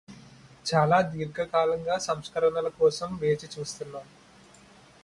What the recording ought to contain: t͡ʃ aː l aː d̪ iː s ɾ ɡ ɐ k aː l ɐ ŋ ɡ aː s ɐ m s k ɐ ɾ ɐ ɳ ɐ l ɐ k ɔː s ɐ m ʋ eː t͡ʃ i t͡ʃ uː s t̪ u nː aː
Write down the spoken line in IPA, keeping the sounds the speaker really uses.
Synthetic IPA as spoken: t͡ʃ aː l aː d̪ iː ɾ ɡ ɐ k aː l ɐ ŋ ɡ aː s ɐ m s k ɐ ɾ ɐ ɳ ɐ l ɐ k ɔː s ɐ m ʋ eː t͡ʃ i t͡ʃ uː s t̪ u nː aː